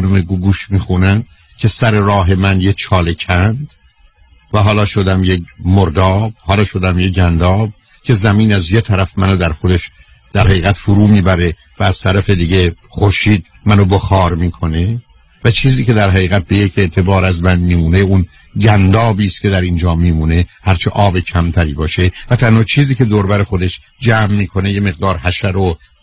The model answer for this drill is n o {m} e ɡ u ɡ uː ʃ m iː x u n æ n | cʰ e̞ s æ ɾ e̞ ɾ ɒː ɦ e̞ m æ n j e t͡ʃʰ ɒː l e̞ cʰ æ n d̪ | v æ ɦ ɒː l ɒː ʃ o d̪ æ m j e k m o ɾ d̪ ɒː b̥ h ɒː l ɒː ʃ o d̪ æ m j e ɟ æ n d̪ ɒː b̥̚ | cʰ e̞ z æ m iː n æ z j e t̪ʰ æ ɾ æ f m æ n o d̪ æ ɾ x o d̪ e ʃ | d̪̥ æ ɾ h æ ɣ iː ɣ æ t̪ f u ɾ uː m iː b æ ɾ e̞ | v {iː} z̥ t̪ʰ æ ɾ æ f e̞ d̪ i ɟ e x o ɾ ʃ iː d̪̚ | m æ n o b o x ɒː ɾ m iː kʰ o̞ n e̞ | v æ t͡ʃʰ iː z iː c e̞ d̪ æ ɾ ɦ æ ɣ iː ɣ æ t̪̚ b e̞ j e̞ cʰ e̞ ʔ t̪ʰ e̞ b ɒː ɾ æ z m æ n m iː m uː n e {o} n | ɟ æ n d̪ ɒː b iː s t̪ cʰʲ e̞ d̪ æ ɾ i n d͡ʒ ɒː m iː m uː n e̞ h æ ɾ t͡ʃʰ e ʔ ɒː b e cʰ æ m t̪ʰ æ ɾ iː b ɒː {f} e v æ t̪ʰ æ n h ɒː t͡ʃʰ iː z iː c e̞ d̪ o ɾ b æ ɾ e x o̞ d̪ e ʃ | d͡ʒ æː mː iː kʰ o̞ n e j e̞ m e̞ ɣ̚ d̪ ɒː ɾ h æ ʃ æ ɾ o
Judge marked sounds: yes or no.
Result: yes, no, no, no

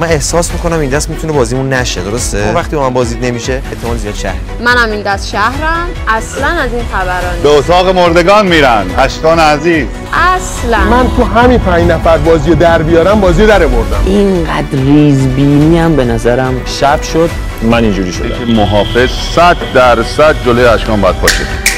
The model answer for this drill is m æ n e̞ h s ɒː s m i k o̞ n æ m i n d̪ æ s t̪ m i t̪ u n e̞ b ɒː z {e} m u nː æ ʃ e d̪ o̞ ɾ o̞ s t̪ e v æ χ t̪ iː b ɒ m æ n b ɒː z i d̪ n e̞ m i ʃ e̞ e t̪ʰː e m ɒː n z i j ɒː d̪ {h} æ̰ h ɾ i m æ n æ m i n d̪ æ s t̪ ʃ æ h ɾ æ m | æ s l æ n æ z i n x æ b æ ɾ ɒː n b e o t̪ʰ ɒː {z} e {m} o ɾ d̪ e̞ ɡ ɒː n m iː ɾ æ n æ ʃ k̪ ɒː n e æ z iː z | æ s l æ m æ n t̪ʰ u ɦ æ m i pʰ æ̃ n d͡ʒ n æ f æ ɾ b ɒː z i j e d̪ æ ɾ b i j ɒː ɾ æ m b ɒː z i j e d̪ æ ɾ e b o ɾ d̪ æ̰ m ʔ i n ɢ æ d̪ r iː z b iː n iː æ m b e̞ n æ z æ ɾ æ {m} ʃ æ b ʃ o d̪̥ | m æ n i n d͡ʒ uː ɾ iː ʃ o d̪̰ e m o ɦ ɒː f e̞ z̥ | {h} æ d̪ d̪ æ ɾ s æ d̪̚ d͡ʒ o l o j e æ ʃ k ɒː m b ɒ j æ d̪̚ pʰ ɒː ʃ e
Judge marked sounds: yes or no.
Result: no, no, no, yes, yes, no

